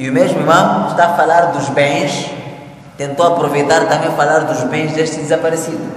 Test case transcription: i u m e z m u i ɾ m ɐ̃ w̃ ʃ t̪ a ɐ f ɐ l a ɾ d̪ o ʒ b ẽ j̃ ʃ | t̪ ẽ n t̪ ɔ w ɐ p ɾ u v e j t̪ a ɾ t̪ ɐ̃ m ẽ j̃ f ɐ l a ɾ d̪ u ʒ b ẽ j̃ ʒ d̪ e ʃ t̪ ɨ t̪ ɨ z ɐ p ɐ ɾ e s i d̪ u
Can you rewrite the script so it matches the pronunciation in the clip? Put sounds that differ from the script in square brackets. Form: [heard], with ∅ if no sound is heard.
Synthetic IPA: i u m e [ʒ] m u i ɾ m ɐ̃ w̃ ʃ t̪ a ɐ f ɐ l a ɾ d̪ [u] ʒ b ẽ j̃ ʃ | t̪ ẽ n t̪ [o] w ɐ p ɾ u v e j t̪ a ɾ t̪ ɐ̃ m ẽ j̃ f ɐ l a ɾ d̪ u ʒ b ẽ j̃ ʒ d̪ e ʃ t̪ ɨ [d̪] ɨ z ɐ p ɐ ɾ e s i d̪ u